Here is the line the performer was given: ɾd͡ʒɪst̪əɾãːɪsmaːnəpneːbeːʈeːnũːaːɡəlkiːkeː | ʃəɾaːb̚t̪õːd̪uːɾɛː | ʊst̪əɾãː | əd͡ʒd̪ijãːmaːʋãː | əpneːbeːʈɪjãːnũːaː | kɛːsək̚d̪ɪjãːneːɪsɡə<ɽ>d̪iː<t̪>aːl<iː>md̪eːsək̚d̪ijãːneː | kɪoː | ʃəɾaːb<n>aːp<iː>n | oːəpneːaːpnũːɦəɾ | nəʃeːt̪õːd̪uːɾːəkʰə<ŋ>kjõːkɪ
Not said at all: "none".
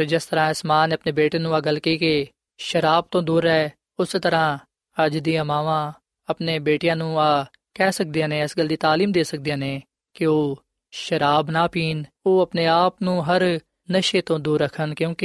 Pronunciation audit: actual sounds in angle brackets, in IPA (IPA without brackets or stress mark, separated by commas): l, t̪, iː, n, iː, n